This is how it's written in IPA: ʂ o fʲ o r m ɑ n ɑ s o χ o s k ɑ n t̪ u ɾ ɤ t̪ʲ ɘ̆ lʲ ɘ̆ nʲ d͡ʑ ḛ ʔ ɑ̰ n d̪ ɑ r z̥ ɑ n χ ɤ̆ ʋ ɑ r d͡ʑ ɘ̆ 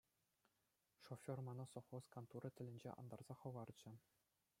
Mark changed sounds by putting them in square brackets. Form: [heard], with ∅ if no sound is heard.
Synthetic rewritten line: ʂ o fʲ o r m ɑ n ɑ s o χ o s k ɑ n t̪ u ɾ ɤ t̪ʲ ɘ̆ lʲ ɘ̆ nʲ d͡ʑ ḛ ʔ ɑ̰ n d̪ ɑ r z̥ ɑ [∅] χ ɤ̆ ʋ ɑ r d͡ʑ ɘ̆

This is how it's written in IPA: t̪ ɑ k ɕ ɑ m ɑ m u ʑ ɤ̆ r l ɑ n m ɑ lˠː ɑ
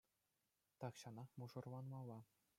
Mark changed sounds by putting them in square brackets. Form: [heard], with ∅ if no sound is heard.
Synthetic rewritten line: t̪ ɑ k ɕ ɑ [n] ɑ m u [ʐ] ɤ̆ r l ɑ n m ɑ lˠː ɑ

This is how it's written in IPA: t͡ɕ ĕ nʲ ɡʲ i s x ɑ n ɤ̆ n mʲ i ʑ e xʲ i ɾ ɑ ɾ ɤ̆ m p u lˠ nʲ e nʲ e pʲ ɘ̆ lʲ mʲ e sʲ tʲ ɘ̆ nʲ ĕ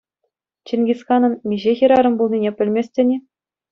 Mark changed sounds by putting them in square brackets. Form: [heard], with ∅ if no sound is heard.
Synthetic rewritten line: t͡ɕ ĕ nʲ ɡʲ i s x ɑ n ɤ̆ n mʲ i ʑ e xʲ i ɾ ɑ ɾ ɤ̆ m [b] u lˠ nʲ [i] nʲ e pʲ ɘ̆ lʲ mʲ e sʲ tʲ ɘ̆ nʲ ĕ

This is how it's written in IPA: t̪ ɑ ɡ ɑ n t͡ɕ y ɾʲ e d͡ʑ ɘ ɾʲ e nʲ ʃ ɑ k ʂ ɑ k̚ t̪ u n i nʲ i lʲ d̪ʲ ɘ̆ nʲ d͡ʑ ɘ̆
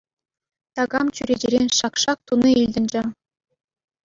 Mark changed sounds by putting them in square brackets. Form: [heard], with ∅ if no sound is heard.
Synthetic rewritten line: t̪ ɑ ɡ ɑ [m] t͡ɕ y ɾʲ e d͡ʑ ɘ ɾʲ e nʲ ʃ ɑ k ʂ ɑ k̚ t̪ u n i [∅] i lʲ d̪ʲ ɘ̆ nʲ d͡ʑ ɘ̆

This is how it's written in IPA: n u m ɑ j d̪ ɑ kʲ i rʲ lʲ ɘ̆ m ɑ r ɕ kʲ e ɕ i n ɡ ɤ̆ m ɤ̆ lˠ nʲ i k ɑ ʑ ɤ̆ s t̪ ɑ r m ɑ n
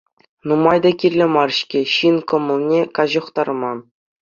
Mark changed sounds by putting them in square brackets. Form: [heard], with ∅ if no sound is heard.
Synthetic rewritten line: n u m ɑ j d̪ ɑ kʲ i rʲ lʲ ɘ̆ m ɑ r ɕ kʲ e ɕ i n [k] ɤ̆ m ɤ̆ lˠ nʲ [e] k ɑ ʑ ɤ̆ [χ] t̪ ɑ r m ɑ n

